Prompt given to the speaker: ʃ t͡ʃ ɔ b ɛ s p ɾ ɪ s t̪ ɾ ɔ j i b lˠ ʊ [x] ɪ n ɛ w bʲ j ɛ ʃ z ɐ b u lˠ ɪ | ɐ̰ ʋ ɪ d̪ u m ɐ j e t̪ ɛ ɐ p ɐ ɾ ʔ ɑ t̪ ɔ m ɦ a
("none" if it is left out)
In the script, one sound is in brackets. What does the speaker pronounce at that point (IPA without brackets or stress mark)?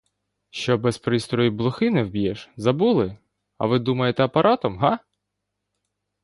x